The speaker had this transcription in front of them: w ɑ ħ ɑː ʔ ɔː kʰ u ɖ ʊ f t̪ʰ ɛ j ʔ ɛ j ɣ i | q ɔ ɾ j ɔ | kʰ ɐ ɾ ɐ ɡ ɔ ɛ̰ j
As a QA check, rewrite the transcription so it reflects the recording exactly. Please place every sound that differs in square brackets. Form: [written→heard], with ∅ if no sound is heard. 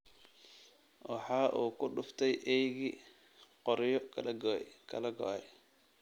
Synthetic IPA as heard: w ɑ ħ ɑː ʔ [ɔː→uː] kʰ [u→ʊ] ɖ ʊ f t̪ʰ ɛ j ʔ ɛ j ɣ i | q ɔ ɾ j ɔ | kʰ ɐ [ɾ→l] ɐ ɡ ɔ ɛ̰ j